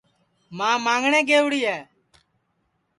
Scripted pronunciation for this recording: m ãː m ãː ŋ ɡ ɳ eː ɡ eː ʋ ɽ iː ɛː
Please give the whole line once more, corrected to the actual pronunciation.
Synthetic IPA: m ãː m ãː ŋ ɡ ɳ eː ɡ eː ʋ ɽ iː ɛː